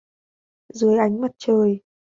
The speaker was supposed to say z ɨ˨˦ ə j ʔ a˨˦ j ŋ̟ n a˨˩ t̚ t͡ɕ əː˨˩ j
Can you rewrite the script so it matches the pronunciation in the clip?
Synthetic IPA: z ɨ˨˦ ə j ʔ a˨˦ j ŋ̟ m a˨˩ t̚ t͡ɕ əː˨˩ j

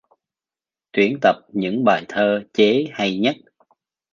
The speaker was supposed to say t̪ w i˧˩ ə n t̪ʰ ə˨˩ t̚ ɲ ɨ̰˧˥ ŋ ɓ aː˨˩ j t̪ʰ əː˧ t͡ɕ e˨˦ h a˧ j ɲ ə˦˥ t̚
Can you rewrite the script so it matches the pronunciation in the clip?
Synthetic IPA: t̪ w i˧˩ ə n t̪ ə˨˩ p̚ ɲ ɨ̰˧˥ ŋ ɓ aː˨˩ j t̪ʰ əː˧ t͡ɕ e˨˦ h a˧ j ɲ ə˦˥ t̚

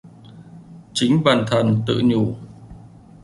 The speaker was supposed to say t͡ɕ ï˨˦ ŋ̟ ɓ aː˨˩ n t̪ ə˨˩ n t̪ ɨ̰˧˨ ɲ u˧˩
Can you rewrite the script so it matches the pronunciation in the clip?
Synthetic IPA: t͡ɕ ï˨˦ ŋ̟ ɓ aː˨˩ n t̪ʰ ə˨˩ n t̪ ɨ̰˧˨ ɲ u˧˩

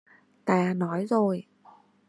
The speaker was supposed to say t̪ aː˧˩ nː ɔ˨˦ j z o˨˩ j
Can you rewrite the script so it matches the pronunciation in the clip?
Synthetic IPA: t̪ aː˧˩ n ɔ˨˦ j z o˨˩ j

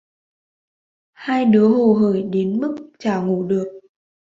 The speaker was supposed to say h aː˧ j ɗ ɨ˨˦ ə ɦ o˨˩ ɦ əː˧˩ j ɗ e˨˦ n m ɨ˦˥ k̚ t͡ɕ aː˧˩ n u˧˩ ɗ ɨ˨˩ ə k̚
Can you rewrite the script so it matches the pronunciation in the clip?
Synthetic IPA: h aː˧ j ɗ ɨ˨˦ ə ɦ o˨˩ ɦ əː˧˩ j ɗ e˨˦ n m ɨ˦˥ k̚ t͡ɕ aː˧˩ ŋ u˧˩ ɗ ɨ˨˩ ə k̚

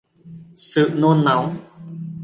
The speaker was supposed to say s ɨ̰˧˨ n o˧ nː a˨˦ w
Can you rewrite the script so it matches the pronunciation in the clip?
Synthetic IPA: s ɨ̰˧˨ n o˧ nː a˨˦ w

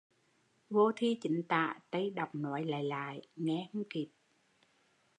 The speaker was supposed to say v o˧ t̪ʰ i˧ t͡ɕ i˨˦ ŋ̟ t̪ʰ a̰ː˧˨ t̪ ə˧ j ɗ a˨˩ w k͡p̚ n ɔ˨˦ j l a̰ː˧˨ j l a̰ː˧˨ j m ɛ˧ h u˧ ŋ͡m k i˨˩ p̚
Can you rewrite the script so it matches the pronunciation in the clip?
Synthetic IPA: v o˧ t̪ʰ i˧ t͡ɕ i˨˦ ŋ̟ t̪ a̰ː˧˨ t̪ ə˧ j ɗ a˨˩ w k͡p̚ n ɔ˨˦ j l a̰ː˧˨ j l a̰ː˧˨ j ŋ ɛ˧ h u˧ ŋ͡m k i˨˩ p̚

